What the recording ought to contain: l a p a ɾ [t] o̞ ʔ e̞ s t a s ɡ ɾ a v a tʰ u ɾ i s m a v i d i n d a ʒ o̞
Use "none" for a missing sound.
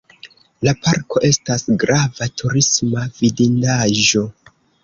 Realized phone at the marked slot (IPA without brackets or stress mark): k